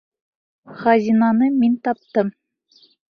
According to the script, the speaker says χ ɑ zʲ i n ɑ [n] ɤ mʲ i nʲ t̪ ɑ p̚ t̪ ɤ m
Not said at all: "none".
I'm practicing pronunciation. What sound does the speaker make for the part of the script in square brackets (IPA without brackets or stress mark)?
n